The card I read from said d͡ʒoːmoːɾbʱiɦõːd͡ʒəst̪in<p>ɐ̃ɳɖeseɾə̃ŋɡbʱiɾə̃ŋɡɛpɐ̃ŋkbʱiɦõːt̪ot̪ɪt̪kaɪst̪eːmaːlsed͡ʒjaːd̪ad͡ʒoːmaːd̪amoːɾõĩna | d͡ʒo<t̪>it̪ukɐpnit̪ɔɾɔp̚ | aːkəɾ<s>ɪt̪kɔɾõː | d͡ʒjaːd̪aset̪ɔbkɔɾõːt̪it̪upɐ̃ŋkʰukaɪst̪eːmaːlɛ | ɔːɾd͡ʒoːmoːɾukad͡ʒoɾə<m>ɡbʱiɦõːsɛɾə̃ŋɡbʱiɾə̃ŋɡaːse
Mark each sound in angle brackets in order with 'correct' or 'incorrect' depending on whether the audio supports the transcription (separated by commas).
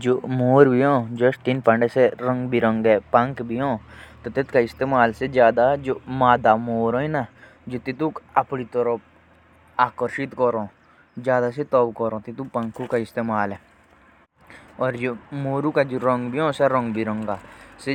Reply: correct, correct, incorrect, incorrect